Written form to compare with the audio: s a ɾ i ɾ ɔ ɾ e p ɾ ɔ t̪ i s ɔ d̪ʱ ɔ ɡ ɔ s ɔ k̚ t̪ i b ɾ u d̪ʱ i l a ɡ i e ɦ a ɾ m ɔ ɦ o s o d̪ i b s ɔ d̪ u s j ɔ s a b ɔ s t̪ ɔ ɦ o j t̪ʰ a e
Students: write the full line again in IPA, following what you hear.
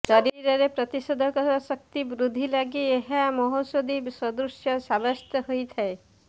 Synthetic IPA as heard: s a ɾ i ɾ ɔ ɾ e p ɾ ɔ t̪ i s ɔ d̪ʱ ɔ k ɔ s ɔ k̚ t̪ i b ɾ u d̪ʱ i l a ɡ i e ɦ a m ɔ ɦ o s o d̪ i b s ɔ d̪ u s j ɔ s a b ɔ s t̪ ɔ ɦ o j t̪ʰ a e